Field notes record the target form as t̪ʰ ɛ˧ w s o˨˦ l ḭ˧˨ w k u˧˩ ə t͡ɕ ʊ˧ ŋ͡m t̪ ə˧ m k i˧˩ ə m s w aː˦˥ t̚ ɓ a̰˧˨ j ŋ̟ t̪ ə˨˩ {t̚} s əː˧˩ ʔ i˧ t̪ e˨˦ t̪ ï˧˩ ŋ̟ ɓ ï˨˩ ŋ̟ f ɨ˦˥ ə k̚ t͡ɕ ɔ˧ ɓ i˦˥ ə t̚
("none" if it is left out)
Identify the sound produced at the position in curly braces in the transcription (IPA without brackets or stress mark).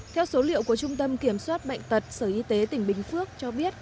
t̚